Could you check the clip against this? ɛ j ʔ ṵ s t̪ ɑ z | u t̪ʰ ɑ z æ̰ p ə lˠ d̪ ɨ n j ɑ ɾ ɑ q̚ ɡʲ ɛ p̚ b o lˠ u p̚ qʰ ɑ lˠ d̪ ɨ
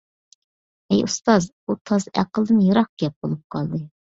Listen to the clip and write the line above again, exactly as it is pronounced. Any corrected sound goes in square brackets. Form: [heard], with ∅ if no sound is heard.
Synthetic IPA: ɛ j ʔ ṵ s t̪ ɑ z | u t̪ʰ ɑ z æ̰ [q] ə lˠ d̪ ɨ n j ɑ ɾ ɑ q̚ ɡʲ ɛ p̚ b o lˠ u p̚ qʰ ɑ lˠ d̪ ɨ